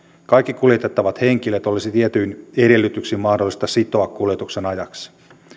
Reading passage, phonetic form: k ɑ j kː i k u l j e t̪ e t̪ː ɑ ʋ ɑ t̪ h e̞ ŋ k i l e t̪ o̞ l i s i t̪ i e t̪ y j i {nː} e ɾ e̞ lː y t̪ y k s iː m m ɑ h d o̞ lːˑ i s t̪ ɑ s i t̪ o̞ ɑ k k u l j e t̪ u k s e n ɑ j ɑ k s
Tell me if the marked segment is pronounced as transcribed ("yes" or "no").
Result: no